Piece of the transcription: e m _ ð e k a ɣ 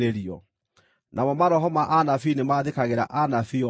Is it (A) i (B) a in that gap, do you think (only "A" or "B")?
B